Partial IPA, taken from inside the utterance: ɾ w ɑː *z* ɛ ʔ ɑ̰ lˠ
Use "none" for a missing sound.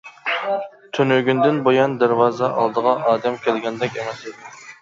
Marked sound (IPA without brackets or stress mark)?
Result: z